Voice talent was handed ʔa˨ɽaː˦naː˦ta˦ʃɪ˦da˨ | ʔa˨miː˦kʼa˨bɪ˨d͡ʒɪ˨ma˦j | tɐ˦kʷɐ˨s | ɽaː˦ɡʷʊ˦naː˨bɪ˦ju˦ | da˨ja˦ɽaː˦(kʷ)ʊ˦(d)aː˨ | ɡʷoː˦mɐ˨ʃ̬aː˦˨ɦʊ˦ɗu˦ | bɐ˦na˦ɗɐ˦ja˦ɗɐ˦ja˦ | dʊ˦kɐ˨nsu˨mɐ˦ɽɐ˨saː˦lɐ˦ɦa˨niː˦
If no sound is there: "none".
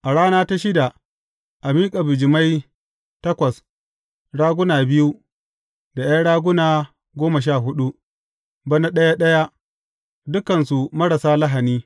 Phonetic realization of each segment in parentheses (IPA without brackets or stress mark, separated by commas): ɡʷ, n